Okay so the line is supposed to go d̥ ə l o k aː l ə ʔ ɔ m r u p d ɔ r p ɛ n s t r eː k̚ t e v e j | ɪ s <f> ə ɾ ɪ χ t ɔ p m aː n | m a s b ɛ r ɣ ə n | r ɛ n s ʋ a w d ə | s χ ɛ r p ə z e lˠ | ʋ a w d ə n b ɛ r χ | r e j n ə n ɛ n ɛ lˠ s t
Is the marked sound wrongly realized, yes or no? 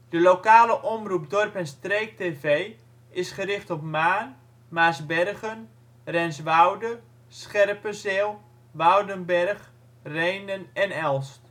yes